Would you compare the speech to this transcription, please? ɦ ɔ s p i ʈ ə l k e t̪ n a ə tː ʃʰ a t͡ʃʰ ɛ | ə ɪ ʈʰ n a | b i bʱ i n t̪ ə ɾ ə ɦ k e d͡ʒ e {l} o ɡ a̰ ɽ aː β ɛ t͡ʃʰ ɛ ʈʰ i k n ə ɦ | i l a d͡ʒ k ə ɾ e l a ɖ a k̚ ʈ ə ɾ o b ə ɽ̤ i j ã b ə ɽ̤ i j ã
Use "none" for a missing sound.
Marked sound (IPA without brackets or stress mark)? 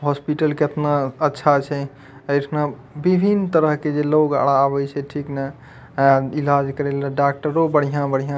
l